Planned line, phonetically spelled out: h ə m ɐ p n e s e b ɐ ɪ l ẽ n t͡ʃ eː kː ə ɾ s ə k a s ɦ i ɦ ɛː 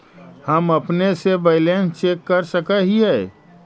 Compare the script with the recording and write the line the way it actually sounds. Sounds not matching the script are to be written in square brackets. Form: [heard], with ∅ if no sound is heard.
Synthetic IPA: h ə m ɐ p n e s e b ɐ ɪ l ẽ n t͡ʃ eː kː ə ɾ s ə k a [∅] ɦ i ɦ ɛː